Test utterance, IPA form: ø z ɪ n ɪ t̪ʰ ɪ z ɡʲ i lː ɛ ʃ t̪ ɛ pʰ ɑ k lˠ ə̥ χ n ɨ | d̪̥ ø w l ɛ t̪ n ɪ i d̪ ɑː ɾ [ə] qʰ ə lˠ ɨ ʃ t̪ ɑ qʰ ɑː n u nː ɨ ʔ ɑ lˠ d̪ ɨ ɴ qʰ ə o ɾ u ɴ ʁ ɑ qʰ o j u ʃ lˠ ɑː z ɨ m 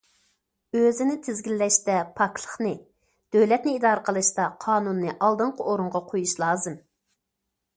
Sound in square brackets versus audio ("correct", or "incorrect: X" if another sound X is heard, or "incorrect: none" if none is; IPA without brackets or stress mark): correct